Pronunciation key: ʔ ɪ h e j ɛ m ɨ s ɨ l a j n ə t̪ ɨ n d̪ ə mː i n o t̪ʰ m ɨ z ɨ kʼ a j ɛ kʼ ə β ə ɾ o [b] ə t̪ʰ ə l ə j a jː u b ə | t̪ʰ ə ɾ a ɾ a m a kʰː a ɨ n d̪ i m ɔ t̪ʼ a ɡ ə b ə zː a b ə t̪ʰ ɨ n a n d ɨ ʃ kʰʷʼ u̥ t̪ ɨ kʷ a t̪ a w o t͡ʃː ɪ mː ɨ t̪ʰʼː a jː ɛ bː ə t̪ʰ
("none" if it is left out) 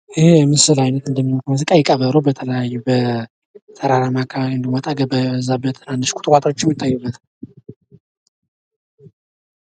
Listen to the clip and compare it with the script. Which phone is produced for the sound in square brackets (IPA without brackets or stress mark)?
b